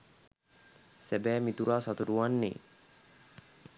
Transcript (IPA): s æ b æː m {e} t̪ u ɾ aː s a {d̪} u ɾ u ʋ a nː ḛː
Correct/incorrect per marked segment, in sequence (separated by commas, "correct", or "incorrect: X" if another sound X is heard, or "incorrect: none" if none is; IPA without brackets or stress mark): incorrect: i, incorrect: t̪